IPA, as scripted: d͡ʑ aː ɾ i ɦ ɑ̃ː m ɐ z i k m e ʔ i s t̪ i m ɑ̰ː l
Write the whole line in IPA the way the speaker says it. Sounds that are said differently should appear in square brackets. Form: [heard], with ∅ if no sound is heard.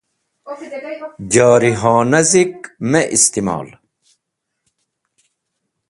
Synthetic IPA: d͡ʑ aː ɾ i ɦ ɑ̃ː [n] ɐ z i k m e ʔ i s t̪ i m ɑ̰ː l